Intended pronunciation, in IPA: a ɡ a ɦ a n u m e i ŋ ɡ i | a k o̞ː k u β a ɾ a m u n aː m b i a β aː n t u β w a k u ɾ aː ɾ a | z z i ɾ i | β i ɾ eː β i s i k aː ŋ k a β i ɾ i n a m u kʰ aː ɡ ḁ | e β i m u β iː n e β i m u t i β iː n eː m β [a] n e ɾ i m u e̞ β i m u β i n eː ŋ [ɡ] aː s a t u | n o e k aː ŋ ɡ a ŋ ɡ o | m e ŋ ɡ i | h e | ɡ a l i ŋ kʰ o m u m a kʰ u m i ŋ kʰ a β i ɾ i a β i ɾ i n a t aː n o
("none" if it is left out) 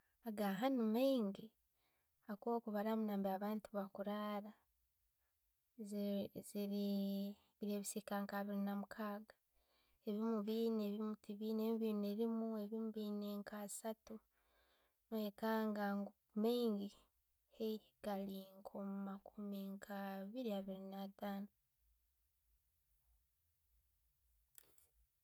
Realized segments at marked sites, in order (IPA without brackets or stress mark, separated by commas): i, k